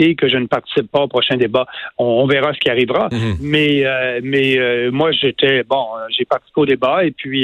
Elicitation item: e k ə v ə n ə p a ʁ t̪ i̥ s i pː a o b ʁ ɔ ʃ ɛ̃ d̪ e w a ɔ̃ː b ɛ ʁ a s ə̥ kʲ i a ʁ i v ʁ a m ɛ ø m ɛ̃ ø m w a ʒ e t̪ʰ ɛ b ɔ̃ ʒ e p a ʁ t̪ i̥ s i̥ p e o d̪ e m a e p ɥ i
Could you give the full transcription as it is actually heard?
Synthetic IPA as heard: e k ə ʒ ə n ə p a ʁ t̪ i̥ s i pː a o p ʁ ɔ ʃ ɛ̃ d̪ e b a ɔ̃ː v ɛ ʁ a s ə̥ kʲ i a ʁ i v ʁ a m ɛ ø m ɛ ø m w a ʒ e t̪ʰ ɛ b ɔ̃ ʒ e p a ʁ t̪ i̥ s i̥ p e o d̪ e b a e p ɥ i